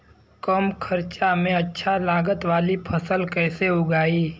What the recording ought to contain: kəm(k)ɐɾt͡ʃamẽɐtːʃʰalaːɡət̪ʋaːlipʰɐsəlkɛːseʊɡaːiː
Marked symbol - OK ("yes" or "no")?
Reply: no